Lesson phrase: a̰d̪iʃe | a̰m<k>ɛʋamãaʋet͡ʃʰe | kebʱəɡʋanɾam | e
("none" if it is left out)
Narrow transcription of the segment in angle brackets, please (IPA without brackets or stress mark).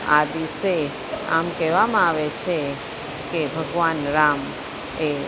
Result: k